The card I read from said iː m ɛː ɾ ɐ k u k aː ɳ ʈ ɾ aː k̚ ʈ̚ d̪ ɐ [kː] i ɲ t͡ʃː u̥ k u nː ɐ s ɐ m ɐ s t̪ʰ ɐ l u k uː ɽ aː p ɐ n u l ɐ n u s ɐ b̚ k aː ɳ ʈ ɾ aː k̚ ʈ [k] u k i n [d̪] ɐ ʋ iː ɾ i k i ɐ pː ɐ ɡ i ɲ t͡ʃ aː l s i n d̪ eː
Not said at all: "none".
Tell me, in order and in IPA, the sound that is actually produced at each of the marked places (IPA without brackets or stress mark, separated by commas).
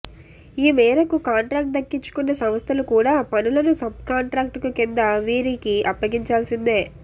kː, k, d̪